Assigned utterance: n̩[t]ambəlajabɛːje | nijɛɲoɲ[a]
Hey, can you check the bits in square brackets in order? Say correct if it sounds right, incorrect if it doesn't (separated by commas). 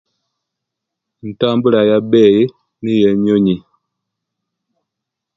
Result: correct, incorrect